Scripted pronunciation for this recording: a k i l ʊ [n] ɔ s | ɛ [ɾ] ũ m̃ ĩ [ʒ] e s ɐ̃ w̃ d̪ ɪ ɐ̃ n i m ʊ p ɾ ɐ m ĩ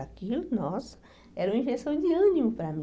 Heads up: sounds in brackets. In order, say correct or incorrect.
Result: correct, correct, correct

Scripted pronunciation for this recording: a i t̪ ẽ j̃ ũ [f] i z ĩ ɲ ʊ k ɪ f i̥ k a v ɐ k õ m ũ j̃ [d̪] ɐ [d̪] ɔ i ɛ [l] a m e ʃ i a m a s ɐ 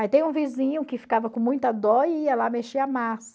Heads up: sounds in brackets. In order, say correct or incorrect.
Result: incorrect: v, incorrect: t̪, correct, correct

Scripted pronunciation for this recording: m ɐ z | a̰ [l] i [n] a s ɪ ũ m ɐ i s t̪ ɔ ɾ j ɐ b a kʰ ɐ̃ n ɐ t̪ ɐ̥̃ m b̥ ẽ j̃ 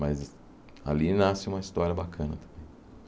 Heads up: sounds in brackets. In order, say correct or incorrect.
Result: correct, correct

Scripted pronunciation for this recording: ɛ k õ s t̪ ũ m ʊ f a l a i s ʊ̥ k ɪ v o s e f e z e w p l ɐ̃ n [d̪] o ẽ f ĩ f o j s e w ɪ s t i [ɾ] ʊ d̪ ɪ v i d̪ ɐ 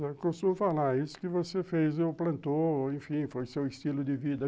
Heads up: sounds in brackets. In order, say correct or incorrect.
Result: incorrect: t̪, incorrect: l

